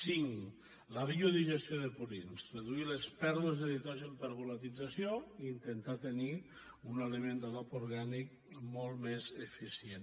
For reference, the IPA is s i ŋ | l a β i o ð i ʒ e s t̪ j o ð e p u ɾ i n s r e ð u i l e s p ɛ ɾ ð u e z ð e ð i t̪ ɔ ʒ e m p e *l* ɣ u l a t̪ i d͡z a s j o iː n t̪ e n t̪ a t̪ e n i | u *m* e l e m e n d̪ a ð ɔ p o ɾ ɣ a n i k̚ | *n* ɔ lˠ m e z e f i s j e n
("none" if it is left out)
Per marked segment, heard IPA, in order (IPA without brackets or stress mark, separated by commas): ɾ, n, m